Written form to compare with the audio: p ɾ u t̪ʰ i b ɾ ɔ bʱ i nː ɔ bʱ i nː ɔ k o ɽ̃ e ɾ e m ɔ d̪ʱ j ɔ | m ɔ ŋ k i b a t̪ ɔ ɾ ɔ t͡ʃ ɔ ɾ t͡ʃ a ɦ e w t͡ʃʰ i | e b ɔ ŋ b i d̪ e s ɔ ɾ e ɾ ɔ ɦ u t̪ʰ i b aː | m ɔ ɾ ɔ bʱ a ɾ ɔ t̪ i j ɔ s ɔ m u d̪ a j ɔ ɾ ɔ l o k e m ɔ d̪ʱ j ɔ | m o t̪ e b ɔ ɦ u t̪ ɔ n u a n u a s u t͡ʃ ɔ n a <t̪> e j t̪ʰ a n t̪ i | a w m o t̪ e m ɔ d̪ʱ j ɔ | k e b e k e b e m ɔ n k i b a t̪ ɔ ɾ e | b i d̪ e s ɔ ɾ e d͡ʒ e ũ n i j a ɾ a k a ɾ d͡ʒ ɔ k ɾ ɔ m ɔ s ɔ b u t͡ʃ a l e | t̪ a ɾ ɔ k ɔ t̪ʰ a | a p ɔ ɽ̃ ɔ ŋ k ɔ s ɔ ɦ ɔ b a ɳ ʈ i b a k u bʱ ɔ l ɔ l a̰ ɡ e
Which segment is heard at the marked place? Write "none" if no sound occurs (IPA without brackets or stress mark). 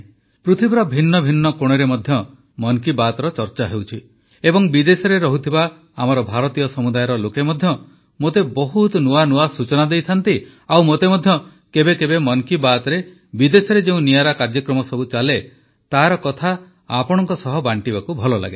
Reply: d̪